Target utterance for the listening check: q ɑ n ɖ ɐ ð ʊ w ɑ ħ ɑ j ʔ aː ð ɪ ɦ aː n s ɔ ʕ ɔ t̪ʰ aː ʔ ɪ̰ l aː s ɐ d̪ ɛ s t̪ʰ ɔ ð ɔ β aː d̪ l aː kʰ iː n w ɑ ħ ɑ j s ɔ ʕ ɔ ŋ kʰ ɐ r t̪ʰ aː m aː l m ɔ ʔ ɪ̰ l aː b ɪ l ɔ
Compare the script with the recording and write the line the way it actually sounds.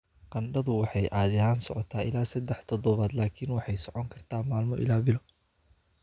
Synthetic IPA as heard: q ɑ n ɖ ɐ ð ʊ w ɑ ħ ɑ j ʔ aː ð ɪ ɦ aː n s ɔ ʕ ɔ t̪ʰ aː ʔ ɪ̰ l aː s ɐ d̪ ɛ ħ t̪ʰ ɔ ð ɔ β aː d̪ l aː kʰ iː n w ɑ ħ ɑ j s ɔ ʕ ɔ ŋ kʰ ɐ r t̪ʰ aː m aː l m ɔ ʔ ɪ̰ l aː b ɪ l ɔ